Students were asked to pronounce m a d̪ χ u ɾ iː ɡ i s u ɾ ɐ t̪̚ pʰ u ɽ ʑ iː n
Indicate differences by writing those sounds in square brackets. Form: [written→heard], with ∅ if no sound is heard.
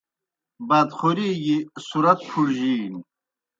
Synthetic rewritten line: [m→b] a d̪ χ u ɾ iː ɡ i s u ɾ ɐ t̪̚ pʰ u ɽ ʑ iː n